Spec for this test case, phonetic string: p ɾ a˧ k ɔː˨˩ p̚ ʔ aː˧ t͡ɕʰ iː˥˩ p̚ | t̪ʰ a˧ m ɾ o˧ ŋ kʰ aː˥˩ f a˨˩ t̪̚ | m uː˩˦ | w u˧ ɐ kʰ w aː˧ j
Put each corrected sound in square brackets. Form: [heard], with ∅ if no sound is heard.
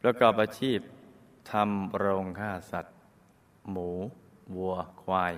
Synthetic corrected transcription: p ɾ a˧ k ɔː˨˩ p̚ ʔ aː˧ t͡ɕʰ iː˥˩ p̚ | t̪ʰ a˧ m ɾ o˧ ŋ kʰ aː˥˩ [s] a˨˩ t̪̚ | m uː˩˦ | w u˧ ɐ kʰ w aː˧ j